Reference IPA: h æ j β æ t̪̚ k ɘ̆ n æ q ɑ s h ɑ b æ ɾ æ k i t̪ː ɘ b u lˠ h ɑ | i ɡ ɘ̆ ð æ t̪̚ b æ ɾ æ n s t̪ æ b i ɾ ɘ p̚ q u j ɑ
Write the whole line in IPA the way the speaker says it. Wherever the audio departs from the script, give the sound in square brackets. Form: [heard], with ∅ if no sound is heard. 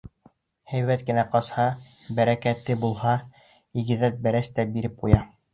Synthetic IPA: h æ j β æ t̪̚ k ɘ̆ n æ q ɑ s h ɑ b æ ɾ æ k [æ] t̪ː ɘ b u lˠ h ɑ | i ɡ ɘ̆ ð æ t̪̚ b æ ɾ æ [∅] s t̪ æ b i ɾ ɘ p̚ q u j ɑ